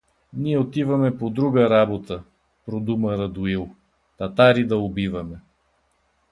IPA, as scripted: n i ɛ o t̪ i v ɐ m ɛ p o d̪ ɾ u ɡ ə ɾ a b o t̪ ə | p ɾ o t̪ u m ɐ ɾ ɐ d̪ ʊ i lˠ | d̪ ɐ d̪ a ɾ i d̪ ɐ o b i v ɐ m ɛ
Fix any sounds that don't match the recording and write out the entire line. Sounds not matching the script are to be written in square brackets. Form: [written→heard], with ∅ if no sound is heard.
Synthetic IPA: n i ɛ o t̪ i v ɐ m ɛ p o d̪ ɾ u ɡ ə ɾ a b o t̪ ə | p ɾ o [t̪→d̪] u m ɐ ɾ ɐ d̪ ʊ i lˠ | [d̪→t̪] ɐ [d̪→t̪] a ɾ i d̪ ɐ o b i v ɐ m ɛ